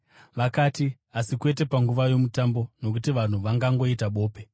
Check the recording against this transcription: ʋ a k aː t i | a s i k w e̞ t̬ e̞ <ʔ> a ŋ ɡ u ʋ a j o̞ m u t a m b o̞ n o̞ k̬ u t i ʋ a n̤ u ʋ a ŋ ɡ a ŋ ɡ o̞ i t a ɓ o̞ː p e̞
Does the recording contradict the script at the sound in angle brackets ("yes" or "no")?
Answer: yes